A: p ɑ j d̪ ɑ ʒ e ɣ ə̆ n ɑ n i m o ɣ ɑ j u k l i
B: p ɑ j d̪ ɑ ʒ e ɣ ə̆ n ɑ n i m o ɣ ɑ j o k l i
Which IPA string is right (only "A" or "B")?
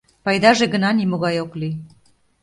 B